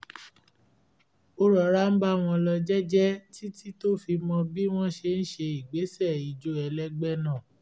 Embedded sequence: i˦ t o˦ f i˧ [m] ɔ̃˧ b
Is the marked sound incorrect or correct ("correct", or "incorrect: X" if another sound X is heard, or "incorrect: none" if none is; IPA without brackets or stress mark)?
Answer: correct